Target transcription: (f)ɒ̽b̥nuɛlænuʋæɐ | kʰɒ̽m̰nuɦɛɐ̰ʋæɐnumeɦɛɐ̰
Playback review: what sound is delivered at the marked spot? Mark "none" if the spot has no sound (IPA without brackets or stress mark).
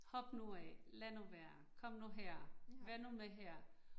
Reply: h